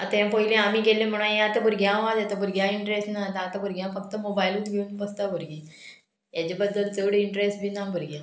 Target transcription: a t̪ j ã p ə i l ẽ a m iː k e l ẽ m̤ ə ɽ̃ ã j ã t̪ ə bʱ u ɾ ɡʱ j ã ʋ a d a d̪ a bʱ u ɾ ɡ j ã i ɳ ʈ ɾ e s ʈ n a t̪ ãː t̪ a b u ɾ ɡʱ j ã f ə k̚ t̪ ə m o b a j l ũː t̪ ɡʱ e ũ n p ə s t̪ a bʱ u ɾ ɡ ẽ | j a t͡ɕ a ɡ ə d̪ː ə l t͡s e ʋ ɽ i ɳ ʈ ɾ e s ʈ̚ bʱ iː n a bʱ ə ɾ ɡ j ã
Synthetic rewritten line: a t̪ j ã p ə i l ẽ a m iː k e l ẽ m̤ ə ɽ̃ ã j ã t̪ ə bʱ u ɾ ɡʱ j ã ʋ a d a t̪ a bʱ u ɾ ɡ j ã i ɳ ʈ ɾ e s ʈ n a t̪ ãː t̪ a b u ɾ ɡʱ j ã f ə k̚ t̪ ə m o b a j l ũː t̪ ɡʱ e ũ n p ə s t̪ a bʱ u ɾ ɡ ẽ | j a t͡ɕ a b ə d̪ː ə l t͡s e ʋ ɽ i ɳ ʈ ɾ e s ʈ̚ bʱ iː n a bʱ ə ɾ ɡ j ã